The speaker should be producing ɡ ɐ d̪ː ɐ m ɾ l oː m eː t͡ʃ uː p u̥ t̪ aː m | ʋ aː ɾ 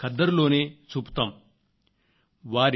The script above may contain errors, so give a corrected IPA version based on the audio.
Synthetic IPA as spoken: k ɐ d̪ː ɐ ɾ l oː n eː t͡ʃ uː p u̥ t̪ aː m | ʋ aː ɾ

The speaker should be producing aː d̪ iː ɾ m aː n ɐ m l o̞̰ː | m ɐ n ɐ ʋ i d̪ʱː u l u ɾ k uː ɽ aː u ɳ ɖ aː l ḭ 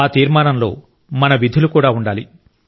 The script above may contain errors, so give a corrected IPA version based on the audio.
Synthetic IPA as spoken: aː t̪ iː ɾ m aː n ɐ m l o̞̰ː | m ɐ n ɐ ʋ i d̪ʱ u l u k uː ɽ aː u ɳ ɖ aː l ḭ

